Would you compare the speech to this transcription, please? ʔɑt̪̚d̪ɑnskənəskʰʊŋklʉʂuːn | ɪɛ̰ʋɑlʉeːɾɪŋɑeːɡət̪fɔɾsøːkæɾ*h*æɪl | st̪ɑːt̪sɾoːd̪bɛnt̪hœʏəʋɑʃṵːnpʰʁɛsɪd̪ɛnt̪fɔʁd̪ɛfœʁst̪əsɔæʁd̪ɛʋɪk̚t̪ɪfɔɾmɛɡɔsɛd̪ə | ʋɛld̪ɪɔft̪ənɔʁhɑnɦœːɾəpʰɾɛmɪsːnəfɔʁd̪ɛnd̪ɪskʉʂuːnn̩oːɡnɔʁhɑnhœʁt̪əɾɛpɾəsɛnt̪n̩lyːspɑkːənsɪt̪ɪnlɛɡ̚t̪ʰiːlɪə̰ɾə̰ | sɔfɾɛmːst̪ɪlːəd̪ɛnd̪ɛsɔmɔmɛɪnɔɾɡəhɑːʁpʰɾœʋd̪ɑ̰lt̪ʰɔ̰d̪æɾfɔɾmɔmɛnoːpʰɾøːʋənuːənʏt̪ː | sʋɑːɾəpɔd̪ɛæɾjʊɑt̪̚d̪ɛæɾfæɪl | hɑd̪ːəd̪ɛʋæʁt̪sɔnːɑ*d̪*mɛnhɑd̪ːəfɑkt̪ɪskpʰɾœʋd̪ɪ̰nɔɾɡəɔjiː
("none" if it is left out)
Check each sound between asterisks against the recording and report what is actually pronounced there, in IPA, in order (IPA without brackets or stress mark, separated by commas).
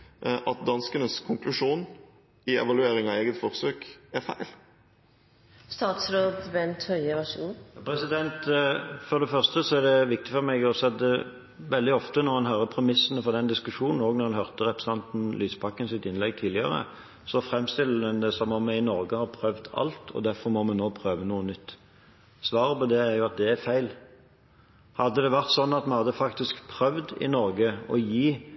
f, t̪